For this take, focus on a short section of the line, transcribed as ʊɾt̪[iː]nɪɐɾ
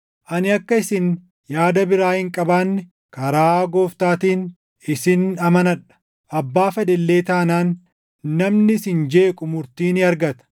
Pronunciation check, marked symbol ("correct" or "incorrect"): correct